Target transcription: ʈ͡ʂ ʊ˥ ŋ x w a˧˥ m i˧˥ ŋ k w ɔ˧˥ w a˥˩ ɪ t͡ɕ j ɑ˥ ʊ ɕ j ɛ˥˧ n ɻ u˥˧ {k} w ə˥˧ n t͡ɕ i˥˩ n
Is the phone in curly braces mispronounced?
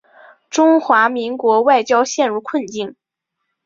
yes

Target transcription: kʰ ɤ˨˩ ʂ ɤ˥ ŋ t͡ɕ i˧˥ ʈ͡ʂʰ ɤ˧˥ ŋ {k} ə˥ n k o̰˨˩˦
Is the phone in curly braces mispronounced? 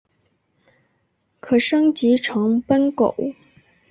yes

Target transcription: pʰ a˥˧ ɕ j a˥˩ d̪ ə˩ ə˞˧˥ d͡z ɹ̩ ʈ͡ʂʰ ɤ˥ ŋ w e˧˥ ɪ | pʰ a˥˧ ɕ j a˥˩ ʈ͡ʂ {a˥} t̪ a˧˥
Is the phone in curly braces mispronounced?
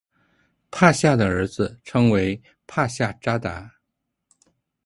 no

